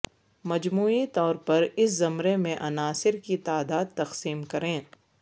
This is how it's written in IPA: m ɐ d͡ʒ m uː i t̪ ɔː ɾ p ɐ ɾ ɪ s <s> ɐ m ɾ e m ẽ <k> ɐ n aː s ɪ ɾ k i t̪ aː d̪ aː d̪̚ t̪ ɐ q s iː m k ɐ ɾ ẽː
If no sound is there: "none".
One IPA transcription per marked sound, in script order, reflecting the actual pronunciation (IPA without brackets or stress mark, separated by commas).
z, ʔ